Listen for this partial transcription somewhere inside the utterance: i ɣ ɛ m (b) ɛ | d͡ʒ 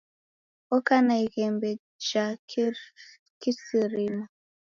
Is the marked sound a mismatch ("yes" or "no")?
no